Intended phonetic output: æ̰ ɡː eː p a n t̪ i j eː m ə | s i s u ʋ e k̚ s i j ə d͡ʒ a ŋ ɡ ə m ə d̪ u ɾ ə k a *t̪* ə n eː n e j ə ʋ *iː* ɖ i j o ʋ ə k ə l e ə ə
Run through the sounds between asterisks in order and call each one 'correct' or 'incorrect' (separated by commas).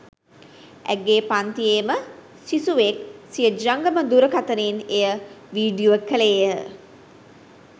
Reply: correct, correct